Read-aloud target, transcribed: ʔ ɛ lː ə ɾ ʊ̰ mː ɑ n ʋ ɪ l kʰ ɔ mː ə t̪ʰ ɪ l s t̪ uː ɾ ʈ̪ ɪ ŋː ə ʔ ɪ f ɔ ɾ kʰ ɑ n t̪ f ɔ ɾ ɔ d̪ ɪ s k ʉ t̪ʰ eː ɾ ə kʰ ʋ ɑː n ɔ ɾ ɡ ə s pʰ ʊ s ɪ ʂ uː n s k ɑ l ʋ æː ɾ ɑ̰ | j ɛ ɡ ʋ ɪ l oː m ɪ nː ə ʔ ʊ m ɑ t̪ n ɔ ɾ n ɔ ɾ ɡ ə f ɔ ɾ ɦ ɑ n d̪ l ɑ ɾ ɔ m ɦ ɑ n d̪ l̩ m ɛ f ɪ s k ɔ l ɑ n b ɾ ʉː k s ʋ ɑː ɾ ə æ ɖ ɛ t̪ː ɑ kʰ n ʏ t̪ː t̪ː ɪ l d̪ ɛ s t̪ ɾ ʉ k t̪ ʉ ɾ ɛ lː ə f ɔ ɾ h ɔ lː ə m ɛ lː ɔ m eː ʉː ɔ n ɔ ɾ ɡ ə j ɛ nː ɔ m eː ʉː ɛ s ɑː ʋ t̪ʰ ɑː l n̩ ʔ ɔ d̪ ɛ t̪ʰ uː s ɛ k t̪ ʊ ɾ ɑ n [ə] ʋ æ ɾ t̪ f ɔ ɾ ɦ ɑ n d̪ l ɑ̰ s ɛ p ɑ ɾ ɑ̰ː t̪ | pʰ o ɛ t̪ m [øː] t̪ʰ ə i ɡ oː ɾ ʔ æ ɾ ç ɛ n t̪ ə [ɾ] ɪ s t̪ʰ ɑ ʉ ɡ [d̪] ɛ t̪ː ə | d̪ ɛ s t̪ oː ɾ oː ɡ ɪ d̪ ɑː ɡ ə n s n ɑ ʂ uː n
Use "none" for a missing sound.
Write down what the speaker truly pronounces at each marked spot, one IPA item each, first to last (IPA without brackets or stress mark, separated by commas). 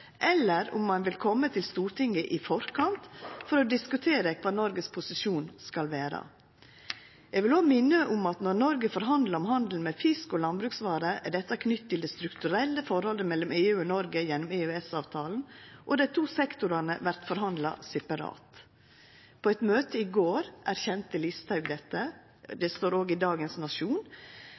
ə, øː, l, d̪